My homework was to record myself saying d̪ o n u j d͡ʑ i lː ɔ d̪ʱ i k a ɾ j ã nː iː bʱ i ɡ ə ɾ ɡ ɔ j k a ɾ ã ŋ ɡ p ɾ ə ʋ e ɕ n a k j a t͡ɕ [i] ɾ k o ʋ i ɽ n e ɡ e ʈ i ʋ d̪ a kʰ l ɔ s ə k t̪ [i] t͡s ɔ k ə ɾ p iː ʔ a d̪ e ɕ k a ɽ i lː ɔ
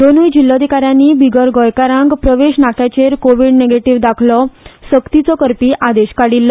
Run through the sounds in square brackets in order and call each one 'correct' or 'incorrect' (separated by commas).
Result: incorrect, correct